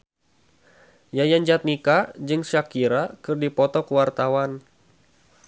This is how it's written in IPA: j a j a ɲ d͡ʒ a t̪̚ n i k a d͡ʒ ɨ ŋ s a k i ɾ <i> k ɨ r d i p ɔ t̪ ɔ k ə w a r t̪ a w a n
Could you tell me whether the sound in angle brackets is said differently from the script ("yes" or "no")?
yes